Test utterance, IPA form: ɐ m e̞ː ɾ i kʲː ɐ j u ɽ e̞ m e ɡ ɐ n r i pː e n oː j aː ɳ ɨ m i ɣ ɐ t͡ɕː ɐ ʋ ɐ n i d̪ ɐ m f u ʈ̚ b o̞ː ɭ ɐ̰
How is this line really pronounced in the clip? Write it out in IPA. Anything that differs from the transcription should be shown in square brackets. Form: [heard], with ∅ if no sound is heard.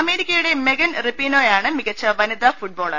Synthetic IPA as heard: ɐ m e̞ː ɾ i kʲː ɐ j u ɽ e̞ m e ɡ ɐ n r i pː [i] n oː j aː ɳ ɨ m i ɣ ɐ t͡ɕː ɐ ʋ ɐ n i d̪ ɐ [∅] f u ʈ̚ b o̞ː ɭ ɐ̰